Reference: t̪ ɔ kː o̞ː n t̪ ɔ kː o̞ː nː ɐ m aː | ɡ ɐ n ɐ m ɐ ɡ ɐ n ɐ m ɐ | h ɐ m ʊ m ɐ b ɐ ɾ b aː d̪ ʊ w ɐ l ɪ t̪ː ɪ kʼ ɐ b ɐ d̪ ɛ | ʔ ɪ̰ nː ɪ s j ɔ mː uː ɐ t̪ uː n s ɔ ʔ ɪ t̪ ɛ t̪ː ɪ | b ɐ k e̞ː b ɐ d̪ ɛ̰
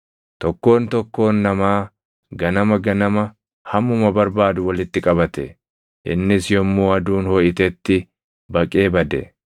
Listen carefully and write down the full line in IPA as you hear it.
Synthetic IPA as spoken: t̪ ɔ kː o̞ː n t̪ ɔ kː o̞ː nː ɐ m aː | ɡ ɐ n ɐ m ɐ ɡ ɐ n ɐ m ɐ | h ɐ m ʊ m ɐ b ɐ ɾ b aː d̪ ʊ w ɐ l ɪ t̪ː ɪ kʼ ɐ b ɐ t̪ ɛ | ʔ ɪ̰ nː ɪ s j ɔ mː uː ɐ d̪ uː n h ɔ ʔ ɪ t̪ ɛ t̪ː ɪ | b ɐ kʼ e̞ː b ɐ d̪ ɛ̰